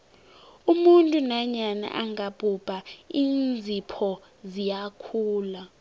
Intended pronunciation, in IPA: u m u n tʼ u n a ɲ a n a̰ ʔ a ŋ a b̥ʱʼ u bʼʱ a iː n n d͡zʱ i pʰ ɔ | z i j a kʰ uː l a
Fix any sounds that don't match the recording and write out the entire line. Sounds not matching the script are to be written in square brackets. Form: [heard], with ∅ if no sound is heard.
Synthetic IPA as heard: u m u n tʼ u n a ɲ a n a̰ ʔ a ŋ a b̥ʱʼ u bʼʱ a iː n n d͡zʱ i pʰ ɔ | z i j a kʰ uː l a